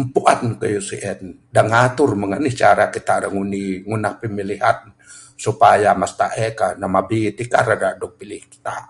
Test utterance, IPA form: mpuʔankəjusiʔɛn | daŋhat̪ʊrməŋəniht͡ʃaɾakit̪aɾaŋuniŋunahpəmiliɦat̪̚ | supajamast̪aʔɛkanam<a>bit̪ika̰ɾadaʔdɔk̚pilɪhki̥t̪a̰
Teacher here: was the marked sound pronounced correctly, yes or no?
yes